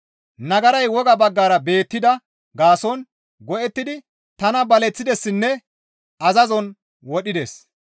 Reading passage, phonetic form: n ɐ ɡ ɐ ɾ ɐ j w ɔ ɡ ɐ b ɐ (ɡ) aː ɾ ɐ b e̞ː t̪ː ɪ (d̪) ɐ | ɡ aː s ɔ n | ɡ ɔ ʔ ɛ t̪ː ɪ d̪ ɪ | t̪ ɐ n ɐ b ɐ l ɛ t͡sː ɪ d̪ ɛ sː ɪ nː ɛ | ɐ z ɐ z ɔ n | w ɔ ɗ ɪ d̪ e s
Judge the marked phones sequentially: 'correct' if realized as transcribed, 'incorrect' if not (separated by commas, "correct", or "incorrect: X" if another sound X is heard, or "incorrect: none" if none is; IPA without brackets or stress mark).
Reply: incorrect: ɡː, correct